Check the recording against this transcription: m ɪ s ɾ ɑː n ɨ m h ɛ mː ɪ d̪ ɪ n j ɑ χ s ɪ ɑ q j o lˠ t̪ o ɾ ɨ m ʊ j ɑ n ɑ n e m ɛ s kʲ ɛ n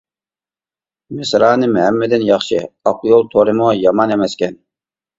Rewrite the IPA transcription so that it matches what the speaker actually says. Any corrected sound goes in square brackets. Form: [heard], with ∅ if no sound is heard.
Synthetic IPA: m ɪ s ɾ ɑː n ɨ m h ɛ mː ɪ d̪ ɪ n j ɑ χ [ʃ] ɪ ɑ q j o lˠ [t̪ʰ] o ɾ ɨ m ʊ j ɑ [m] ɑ n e m ɛ s kʲ ɛ n